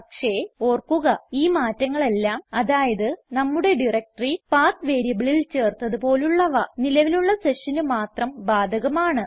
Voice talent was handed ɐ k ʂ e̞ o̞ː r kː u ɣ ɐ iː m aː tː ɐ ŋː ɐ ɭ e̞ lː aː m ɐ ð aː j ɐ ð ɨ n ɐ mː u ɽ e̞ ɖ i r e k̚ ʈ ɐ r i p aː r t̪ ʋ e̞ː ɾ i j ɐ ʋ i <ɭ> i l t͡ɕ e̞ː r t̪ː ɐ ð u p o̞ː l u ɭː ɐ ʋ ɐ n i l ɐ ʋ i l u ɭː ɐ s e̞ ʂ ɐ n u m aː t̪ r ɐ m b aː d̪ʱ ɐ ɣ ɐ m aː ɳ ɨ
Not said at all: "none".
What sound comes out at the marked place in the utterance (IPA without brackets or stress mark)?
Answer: ɭ